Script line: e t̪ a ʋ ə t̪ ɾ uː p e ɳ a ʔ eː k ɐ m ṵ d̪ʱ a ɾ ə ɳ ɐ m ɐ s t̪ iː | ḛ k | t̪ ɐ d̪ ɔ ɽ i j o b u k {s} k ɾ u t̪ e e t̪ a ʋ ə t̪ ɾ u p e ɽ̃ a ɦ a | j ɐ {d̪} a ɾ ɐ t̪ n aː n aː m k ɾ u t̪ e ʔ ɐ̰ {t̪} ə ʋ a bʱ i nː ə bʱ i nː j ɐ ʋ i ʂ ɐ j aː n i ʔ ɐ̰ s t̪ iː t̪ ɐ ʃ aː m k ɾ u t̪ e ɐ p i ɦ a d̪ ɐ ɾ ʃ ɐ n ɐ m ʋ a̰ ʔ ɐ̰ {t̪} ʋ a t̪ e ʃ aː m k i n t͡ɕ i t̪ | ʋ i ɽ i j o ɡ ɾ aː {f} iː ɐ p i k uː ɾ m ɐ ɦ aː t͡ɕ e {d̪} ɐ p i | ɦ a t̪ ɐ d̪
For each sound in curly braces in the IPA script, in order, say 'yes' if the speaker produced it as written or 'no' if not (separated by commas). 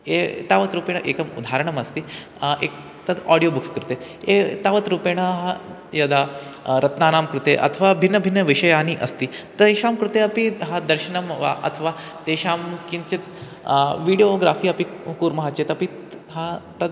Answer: yes, yes, no, no, yes, no